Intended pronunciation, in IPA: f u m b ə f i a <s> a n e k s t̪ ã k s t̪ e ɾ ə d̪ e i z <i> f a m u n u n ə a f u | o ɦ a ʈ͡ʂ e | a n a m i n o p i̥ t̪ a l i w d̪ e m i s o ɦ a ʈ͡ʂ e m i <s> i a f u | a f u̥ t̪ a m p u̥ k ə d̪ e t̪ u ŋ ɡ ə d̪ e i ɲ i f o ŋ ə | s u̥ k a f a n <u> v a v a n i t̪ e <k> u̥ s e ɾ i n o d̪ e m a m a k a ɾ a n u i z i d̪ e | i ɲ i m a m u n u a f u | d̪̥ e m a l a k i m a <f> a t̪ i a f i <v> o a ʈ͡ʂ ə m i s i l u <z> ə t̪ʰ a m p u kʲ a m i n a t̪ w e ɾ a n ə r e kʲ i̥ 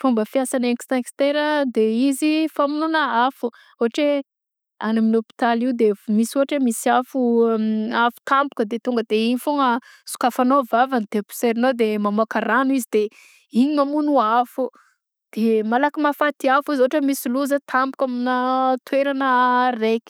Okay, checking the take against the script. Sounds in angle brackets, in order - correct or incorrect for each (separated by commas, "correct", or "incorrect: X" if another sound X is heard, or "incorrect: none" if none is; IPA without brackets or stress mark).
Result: correct, correct, correct, incorrect: o, incorrect: p, correct, incorrect: z, correct